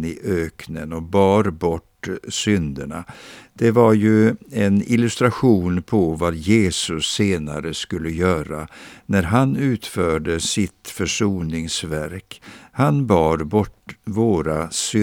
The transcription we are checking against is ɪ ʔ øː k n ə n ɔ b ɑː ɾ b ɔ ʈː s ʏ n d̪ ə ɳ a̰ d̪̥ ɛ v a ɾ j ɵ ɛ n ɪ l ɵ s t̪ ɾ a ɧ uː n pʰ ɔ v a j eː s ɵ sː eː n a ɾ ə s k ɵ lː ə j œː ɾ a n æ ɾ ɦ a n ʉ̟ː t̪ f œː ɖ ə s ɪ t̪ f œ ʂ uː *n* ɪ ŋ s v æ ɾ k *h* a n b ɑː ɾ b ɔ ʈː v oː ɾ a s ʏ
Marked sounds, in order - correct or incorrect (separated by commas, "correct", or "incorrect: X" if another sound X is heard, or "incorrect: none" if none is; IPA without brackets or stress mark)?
correct, correct